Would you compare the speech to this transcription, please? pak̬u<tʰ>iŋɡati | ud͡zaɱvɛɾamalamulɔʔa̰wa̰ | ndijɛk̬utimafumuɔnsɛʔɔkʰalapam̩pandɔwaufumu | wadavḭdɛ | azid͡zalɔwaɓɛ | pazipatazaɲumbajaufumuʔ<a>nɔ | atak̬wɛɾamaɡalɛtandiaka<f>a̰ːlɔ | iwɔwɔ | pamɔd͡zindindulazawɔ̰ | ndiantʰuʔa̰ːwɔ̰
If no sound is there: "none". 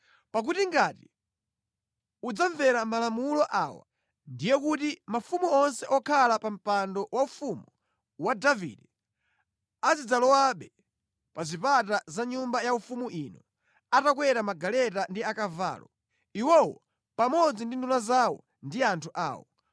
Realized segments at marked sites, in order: t, i, v

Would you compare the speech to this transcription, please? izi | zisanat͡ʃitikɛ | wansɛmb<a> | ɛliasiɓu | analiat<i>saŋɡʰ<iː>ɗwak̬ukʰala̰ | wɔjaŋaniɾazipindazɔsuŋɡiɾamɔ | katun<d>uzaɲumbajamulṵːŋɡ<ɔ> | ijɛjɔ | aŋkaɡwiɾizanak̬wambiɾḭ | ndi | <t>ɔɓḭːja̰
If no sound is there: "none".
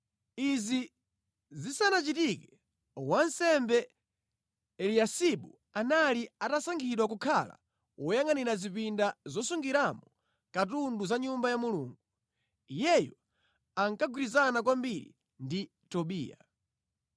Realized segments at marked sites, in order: ɛ, a, i, d, u, t

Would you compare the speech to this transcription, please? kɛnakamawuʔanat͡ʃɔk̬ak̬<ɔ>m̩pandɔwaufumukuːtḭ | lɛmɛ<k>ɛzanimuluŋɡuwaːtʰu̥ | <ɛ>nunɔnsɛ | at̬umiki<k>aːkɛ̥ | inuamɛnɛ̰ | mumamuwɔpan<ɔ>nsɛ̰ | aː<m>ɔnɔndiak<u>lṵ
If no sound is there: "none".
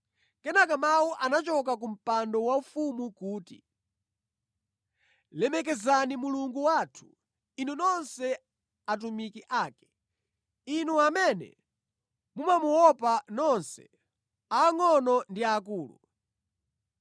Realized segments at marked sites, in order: u, k, i, ʔ, ɔ, ŋ, uː

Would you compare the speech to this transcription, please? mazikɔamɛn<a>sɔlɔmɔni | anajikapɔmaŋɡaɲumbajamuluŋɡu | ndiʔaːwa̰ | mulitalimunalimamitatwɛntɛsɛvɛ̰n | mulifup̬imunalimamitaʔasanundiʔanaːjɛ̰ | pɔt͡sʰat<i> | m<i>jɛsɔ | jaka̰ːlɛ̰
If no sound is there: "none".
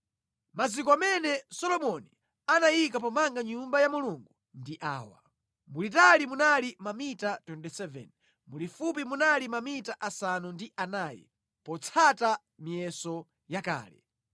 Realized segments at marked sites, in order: ɛ, a, i

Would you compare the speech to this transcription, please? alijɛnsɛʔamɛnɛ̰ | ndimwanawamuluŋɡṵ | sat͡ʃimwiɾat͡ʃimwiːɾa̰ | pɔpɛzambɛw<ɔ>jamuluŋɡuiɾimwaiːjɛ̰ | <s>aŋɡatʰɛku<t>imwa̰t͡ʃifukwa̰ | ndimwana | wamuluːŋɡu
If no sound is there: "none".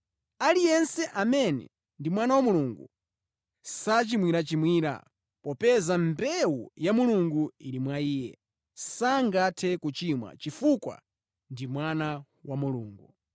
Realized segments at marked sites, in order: u, s, t͡ʃ

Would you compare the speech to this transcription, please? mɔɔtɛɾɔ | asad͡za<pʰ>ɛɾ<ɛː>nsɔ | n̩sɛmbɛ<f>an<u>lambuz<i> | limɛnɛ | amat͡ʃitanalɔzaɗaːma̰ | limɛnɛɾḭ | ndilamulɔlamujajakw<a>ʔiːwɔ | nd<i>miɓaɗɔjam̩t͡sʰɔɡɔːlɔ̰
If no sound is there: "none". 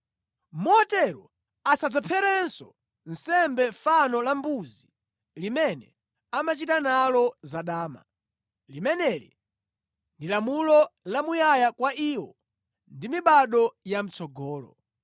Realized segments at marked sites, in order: pʰ, ɛ, f, ɔ, i, a, i

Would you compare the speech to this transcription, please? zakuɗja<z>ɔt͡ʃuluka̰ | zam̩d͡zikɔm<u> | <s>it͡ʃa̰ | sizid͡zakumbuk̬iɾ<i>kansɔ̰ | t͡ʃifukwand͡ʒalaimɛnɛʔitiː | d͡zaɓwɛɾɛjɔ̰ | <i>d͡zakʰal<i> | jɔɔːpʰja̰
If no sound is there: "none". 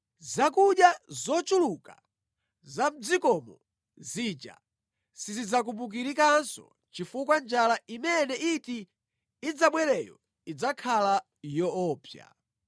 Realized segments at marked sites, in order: z, ɔ, z, i, i, a

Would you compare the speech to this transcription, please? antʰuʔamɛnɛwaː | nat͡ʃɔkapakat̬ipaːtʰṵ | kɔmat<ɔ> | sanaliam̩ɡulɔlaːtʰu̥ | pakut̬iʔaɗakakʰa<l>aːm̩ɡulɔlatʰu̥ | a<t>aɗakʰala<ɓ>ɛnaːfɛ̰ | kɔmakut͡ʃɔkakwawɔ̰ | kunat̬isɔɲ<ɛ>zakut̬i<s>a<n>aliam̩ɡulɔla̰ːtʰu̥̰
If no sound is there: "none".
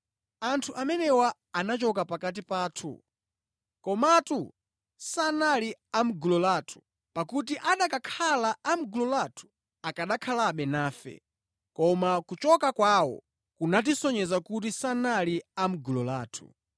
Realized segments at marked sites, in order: u, l, k, ɓ, ɛ, s, n

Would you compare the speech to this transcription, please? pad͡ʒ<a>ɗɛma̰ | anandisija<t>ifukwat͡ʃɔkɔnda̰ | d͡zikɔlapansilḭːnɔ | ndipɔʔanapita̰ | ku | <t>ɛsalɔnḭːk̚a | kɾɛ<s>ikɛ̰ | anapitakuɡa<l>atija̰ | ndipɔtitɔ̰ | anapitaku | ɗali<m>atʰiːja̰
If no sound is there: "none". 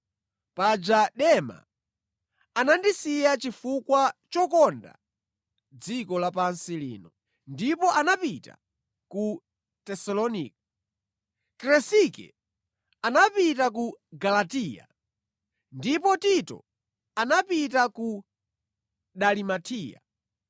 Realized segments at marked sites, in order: a, t͡ʃ, t, s, l, m

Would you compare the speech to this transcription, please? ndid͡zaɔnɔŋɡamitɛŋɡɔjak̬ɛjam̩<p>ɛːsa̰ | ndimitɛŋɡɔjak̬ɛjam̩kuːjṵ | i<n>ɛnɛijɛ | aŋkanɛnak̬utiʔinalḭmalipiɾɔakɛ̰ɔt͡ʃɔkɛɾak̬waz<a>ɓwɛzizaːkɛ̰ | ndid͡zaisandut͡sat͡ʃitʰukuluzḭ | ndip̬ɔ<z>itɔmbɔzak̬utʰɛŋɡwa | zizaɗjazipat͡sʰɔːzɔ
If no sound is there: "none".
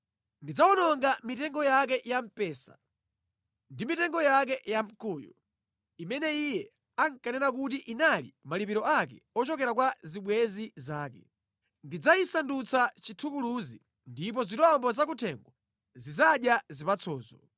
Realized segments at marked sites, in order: p, m, i, z

